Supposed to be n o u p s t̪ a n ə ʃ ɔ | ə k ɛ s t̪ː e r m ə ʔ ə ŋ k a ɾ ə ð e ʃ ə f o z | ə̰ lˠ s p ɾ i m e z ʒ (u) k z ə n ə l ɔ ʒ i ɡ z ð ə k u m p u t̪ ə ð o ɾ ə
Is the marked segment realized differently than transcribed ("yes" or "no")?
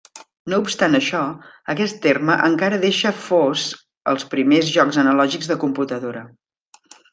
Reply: yes